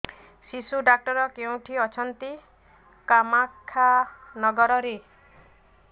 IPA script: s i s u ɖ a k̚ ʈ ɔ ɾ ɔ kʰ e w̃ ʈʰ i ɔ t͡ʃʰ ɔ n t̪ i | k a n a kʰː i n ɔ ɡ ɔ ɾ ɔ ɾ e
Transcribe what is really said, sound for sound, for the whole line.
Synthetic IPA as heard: s i s u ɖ a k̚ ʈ ɔ ɾ ɔ k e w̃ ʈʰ i ɔ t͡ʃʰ ɔ n t̪ i | k a m a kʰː a n ɔ ɡ ɔ ɾ ɔ ɾ e